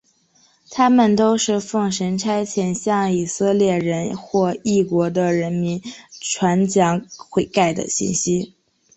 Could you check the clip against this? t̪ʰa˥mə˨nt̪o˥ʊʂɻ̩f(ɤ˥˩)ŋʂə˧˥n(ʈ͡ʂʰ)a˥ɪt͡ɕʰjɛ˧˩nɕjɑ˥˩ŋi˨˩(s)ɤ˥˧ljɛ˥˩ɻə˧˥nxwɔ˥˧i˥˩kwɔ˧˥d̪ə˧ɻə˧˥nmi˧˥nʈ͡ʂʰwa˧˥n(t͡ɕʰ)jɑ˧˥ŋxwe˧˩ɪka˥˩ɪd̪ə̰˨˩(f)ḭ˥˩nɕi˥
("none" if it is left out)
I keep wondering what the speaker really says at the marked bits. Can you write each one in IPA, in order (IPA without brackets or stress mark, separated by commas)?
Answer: ɤ˥˩, ʈ͡ʂʰ, s, t͡ɕ, ɕ